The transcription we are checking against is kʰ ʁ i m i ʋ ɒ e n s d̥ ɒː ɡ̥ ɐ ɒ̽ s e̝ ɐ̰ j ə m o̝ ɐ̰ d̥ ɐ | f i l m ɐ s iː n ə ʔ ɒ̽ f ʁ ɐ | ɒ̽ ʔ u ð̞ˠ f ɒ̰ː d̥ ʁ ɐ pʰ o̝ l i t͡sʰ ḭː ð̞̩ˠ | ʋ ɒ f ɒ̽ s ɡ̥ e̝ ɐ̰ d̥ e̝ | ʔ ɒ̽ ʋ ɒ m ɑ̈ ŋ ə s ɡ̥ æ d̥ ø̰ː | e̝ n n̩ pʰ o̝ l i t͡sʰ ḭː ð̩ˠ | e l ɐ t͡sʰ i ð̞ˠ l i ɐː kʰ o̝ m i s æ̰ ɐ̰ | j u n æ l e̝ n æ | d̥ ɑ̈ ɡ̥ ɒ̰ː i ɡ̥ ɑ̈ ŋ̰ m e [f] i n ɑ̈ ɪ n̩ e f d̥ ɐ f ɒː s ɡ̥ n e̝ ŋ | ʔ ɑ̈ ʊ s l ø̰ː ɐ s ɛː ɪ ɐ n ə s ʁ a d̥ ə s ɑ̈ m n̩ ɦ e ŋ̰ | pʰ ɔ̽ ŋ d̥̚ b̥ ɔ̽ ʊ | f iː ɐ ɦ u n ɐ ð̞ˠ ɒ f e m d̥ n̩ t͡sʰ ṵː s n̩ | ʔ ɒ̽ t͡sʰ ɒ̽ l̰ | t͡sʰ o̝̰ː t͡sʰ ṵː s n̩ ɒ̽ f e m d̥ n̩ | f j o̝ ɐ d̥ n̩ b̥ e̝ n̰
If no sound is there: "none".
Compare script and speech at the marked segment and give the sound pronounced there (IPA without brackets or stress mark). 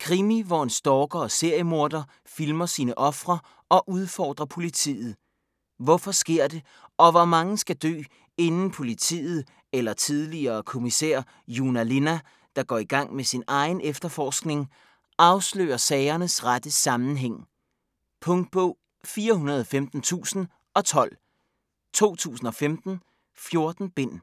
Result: s